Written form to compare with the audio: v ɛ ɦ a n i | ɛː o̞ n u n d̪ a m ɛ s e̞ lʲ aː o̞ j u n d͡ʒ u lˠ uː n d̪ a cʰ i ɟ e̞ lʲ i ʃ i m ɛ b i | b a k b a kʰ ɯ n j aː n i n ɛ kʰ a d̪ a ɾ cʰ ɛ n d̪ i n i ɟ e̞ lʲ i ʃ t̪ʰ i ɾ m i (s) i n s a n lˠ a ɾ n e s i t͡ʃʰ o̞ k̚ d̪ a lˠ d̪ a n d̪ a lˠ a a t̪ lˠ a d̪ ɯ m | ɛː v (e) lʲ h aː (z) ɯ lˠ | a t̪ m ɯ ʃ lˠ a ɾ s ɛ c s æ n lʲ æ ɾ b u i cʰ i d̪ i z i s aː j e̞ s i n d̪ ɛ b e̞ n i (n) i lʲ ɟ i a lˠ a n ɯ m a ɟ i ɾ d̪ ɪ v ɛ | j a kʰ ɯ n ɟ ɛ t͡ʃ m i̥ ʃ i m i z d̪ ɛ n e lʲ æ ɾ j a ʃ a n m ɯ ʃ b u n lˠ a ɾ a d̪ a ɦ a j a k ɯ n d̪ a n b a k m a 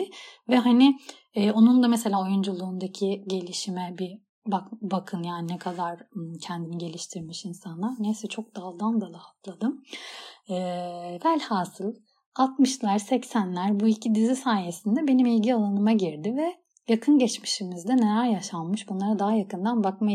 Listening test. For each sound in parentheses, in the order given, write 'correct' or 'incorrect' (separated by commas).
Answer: incorrect, incorrect, incorrect, incorrect